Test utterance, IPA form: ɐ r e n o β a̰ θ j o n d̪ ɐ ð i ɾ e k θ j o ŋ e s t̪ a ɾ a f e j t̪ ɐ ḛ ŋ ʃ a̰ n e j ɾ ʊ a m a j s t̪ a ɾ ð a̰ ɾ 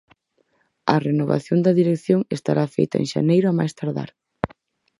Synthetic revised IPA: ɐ r e n o β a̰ θ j o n d̪ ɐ ð i ɾ e k θ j o ŋ e s t̪ a ɾ a f e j t̪ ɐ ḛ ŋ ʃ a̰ n e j ɾ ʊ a m a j s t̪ a ɾ ð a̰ ɾ

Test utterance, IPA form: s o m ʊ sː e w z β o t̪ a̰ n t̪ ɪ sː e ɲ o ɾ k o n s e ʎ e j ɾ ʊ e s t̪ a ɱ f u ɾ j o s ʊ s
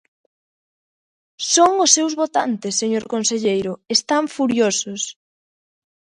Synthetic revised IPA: s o ŋ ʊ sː e w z β o t̪ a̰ n t̪ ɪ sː e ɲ o ɾ k o n s e ʎ e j ɾ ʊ e s t̪ a ɱ f u ɾ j o s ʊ s

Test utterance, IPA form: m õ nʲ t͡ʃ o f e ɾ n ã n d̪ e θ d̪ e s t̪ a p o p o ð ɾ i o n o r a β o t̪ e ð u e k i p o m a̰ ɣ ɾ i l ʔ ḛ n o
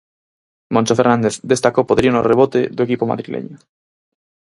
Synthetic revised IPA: m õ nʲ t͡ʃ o f e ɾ n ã n d̪ e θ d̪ e s t̪ a k o p o ð ɾ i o n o r e β o t̪ e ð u e k i p o m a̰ ð ɾ i l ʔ ḛ ɲ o

